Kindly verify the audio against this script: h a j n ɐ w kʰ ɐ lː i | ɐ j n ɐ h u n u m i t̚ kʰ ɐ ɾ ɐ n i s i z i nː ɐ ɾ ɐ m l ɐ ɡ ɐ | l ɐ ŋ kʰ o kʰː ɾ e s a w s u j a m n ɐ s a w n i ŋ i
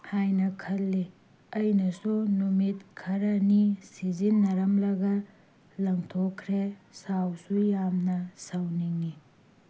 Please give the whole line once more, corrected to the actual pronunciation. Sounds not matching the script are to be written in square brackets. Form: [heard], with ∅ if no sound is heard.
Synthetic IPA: h a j n ɐ [∅] kʰ ɐ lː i | ɐ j n ɐ [s] u n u m i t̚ kʰ ɐ ɾ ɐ n i s i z i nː ɐ ɾ ɐ m l ɐ ɡ ɐ | l ɐ ŋ [tʰ] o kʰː ɾ e s a w s u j a m n ɐ s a w n i ŋ i